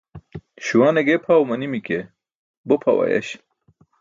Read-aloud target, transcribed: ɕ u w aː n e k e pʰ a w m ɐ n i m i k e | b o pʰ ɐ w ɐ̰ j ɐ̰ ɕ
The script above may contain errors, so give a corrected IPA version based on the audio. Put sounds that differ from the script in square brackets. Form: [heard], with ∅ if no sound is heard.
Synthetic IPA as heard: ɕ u w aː n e [ɡ] e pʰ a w m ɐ n i m i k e | b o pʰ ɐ w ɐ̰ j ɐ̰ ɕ